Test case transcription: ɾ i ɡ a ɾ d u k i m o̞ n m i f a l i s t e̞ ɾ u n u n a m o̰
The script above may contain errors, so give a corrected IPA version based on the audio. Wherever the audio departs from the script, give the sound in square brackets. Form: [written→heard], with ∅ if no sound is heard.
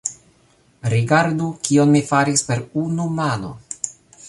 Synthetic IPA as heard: ɾ i ɡ a ɾ d u k i [m→∅] o̞ n m i f a [l→ɾ] i s [t→p] e̞ ɾ u n u [n→m] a [m→n] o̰